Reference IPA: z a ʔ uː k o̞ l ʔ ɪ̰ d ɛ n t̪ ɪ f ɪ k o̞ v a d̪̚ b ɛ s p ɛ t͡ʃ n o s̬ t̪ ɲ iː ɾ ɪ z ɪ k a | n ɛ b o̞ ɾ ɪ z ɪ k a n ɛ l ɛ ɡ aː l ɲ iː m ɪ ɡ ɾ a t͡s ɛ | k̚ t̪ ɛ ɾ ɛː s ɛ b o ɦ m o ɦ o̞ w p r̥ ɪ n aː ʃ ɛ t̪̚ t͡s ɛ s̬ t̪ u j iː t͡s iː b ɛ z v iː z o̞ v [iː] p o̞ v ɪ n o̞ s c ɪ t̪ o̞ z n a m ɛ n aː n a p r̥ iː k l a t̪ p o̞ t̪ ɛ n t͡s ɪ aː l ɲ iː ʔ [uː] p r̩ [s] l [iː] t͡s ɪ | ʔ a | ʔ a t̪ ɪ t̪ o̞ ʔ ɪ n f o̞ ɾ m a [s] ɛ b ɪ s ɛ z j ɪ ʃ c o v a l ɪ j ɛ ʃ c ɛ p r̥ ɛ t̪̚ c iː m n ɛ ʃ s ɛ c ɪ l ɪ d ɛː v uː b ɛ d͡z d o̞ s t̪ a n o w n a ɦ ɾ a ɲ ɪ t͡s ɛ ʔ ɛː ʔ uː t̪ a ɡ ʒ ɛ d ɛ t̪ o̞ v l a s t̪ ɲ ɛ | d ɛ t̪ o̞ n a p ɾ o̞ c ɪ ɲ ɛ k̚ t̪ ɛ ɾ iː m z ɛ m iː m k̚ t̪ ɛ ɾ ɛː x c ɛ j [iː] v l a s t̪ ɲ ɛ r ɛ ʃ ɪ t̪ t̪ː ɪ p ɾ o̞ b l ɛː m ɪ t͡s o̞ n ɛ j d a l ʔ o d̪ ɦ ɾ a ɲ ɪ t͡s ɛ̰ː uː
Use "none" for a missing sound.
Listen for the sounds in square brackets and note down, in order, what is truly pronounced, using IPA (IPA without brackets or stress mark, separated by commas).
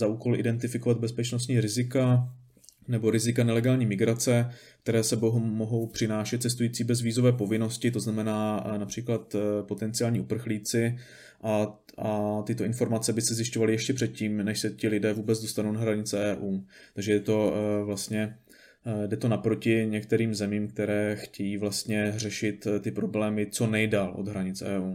ɛː, u, x, iː, t͡s, iː